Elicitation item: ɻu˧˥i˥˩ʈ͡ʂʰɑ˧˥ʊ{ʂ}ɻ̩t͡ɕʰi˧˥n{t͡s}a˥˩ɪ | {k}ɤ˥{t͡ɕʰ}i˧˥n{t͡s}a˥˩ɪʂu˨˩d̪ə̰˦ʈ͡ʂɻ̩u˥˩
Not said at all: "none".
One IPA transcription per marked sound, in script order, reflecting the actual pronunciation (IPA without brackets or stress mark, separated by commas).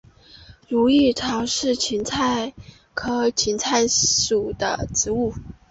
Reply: ʂ, t͡sʰ, kʰ, t͡ɕʰ, t͡sʰ